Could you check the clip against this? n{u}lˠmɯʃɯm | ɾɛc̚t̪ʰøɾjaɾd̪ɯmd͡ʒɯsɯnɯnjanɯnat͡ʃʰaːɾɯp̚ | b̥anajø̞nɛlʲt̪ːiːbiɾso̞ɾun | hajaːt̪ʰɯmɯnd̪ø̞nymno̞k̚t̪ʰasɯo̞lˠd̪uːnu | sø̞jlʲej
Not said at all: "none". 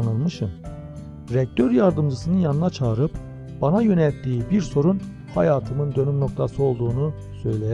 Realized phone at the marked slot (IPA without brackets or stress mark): ɯ